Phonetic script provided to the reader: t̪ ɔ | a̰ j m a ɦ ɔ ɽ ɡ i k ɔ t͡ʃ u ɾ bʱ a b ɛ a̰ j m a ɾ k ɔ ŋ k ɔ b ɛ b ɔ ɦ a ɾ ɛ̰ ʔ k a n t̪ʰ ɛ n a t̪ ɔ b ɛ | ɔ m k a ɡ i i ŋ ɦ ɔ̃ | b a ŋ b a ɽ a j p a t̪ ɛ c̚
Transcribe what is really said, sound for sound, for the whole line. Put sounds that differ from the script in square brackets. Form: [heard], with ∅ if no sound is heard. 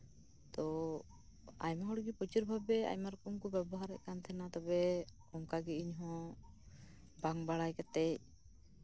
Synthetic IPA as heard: t̪ ɔ | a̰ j m a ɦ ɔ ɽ ɡ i [p] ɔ t͡ʃ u ɾ bʱ a b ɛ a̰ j m a ɾ k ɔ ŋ k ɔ b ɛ b ɔ ɦ a ɾ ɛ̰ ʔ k a n t̪ʰ ɛ n a t̪ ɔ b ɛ | ɔ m k a ɡ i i [ɲ] ɦ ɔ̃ | b a ŋ b a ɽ a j [k] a t̪ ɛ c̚